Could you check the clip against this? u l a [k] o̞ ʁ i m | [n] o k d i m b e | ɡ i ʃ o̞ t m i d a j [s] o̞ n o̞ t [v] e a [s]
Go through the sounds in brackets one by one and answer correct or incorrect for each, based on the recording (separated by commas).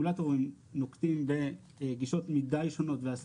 incorrect, correct, incorrect, correct, correct